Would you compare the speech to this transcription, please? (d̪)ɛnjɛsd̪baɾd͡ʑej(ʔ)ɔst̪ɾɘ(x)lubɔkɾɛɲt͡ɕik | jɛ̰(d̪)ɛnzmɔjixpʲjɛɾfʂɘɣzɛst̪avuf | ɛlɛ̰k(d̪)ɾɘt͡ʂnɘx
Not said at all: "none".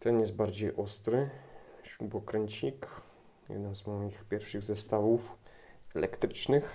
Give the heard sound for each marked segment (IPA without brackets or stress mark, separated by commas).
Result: t̪, ʔ, ɕ, d̪, t̪